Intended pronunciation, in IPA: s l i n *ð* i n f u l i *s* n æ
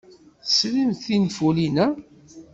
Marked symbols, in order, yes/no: no, no

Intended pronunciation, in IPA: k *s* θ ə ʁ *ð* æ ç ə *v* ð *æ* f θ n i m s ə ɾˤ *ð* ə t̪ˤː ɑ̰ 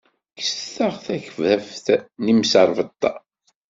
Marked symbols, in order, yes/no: yes, no, yes, yes, no

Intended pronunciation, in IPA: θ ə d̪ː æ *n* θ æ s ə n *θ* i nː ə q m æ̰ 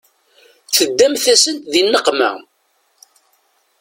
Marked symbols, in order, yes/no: no, no

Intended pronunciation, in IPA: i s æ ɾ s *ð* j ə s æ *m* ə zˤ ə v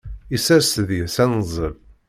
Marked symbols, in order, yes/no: yes, no

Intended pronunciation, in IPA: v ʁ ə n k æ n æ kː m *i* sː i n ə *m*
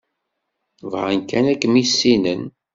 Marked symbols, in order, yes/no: yes, no

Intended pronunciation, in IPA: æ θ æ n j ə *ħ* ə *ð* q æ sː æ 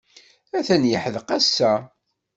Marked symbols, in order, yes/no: yes, yes

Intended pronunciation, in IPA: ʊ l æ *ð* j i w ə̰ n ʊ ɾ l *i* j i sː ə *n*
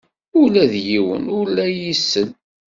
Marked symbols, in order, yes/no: yes, no, yes

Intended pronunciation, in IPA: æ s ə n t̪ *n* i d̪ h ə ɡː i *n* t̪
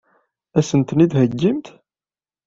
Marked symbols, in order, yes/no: yes, no

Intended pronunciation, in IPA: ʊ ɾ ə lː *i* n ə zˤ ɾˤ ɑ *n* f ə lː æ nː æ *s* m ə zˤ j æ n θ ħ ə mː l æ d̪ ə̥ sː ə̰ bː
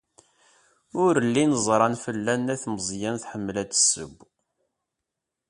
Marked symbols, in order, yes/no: yes, yes, no

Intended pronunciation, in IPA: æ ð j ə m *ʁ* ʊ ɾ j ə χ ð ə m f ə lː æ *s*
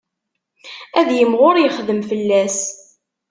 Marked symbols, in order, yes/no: yes, yes

